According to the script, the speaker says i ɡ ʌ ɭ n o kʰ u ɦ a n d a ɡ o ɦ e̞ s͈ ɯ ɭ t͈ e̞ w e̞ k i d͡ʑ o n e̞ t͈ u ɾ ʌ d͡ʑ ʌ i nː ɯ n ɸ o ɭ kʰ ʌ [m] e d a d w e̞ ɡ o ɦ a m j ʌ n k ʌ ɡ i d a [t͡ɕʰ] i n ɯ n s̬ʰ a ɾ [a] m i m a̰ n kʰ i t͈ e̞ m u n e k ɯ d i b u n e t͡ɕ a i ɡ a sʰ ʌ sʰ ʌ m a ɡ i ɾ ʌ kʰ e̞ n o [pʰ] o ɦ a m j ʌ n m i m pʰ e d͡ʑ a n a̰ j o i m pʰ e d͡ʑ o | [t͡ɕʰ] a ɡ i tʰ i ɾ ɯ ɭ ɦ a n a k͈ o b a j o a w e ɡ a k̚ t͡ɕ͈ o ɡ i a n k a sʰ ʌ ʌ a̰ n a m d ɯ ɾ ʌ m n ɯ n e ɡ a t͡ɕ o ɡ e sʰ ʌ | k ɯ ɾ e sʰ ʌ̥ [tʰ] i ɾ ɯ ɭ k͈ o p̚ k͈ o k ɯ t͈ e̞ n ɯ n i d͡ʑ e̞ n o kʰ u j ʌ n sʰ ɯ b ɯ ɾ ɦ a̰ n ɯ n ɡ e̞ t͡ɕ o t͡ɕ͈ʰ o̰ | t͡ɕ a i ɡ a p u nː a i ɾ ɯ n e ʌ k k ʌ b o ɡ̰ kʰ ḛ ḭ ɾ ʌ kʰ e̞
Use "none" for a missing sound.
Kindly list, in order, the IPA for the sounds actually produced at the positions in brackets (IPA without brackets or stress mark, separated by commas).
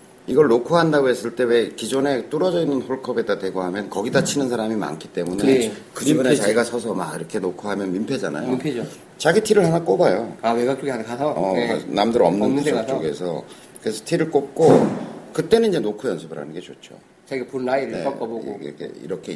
b, t͡ɕʰ, a, kʰ, t͡ɕ, tʰ